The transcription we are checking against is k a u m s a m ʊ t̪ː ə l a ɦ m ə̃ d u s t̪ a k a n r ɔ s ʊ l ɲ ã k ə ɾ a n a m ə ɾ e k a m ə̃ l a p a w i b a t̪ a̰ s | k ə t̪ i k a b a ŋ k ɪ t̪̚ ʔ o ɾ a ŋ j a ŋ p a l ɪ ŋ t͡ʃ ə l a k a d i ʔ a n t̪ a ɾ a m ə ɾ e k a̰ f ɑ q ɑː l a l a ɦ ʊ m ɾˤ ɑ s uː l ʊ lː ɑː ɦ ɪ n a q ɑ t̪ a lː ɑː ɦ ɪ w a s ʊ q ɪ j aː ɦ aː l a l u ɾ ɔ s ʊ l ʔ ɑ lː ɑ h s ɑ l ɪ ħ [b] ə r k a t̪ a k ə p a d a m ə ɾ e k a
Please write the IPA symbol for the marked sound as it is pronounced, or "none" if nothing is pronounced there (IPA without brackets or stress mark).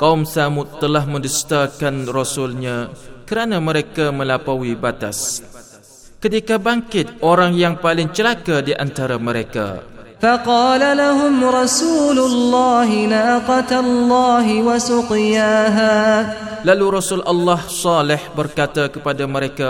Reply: b